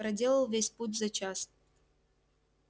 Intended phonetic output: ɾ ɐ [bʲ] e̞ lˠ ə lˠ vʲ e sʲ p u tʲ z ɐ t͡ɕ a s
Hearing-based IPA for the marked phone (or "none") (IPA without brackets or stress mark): dʲ